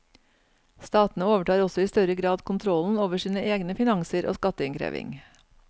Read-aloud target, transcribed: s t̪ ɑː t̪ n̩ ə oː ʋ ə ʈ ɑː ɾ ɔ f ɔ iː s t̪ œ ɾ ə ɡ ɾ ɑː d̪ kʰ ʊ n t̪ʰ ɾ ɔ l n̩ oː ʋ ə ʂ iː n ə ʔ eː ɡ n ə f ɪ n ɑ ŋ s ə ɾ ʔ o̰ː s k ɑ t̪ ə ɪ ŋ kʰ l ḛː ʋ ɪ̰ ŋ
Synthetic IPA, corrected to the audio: s t̪ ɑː t̪ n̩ ə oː ʋ ə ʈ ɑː ɾ ɔ s ɔ iː s t̪ œ ɾ ə ɡ ɾ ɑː d̪ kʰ ʊ n t̪ʰ ɾ ɔ l n̩ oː ʋ ə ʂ iː n ə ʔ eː ɡ n ə f ɪ n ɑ ŋ s ə ɾ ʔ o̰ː s k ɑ t̪ ə ɪ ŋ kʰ ɾ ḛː ʋ ɪ̰ ŋ